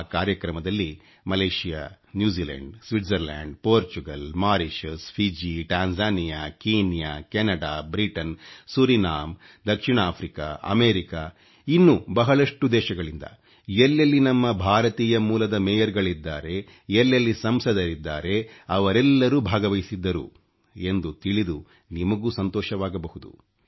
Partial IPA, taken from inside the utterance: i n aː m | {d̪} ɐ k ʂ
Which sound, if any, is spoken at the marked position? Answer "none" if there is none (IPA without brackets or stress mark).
d̪